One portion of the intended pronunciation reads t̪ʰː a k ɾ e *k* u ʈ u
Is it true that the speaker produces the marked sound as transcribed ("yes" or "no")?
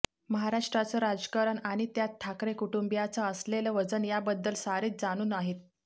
yes